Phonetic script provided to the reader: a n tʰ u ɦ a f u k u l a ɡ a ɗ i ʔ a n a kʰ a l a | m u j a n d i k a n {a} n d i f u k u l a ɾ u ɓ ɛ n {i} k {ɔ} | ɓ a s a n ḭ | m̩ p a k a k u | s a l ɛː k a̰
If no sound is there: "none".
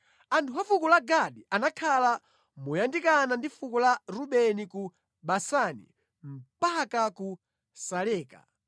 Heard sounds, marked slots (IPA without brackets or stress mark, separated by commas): a, i, u